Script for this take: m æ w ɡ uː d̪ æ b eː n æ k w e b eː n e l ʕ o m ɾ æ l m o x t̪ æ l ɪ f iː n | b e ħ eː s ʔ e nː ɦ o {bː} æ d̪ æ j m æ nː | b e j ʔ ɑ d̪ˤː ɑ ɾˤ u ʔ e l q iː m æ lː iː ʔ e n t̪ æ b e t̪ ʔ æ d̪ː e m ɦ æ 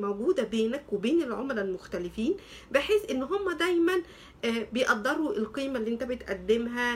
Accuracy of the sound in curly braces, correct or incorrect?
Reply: incorrect